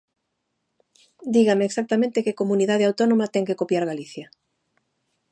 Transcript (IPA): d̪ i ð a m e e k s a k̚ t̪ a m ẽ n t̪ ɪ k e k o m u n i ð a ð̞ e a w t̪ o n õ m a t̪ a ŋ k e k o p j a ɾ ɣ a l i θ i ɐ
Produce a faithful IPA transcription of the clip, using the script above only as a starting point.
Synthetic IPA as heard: d̪ i ɣ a m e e k s a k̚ t̪ a m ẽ n t̪ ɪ k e k o m u n i ð a ð̞ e a w t̪ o n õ m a t̪ ɛ ŋ k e k o p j a ɾ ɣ a l i θ j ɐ